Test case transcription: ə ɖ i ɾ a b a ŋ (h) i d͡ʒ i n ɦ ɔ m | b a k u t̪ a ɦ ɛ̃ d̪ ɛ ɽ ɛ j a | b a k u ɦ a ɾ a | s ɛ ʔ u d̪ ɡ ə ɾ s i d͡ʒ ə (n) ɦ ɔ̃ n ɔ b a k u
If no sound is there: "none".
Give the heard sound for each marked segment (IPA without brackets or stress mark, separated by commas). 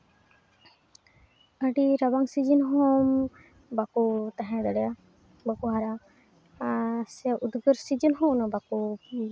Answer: s, n